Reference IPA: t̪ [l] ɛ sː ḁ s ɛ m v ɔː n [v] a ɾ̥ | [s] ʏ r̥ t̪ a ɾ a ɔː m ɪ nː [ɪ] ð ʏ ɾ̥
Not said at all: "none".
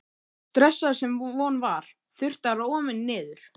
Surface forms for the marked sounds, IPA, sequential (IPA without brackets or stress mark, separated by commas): ɾ, v, θ, ɪː